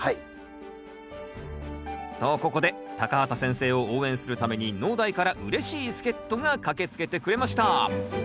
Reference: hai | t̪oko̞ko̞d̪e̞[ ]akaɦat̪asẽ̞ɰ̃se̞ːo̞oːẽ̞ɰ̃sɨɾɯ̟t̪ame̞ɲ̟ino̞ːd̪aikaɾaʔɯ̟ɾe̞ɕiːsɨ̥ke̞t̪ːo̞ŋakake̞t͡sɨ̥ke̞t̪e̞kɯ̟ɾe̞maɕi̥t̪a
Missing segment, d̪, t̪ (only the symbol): t̪